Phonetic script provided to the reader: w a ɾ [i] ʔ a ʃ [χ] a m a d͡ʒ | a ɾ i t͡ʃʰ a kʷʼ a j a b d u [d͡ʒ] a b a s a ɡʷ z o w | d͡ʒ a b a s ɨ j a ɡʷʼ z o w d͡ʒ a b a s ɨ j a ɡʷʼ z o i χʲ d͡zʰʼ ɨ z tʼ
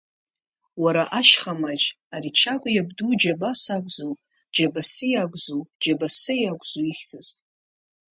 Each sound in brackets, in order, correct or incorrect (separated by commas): incorrect, correct, correct